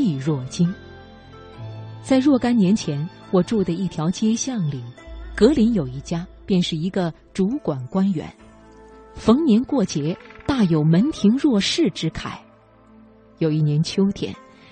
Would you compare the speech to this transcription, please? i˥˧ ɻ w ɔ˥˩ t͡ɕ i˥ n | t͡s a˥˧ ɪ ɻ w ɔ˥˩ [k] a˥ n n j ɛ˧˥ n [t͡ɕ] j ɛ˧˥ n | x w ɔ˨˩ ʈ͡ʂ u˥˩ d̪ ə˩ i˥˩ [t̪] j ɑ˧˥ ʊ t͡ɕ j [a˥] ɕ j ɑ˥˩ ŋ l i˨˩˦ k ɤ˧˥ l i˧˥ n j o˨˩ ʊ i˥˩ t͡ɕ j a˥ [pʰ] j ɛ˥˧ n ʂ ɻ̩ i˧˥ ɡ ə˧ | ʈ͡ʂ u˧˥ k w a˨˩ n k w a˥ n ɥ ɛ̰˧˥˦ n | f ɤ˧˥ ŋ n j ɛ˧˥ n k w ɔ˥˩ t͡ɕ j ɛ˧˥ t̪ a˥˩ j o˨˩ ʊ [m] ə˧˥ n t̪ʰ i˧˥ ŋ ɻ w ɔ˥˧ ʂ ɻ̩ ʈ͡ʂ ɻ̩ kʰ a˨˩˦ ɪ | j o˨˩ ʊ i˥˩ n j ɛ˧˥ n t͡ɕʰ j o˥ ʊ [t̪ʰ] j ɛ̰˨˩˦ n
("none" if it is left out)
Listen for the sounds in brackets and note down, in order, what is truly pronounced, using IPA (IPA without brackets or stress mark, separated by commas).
k, t͡ɕʰ, t̪ʰ, ɛ˥, p, m, t̪ʰ